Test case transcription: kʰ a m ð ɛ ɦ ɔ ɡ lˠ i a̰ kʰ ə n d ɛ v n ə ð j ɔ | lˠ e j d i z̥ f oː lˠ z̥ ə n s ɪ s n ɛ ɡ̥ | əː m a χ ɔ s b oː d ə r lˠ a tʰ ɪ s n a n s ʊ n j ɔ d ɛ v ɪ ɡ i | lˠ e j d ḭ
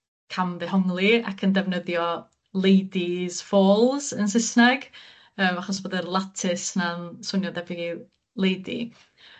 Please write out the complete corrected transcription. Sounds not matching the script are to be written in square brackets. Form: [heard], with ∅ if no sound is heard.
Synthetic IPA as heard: kʰ a m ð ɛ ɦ ɔ [ŋ] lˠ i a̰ kʰ ə n d ɛ v n ə ð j ɔ | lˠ e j d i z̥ f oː lˠ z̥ ə n s ɪ s n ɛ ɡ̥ | əː m a χ ɔ s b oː d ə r lˠ a tʰ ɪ s n a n s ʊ n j ɔ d ɛ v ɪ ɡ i | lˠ e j d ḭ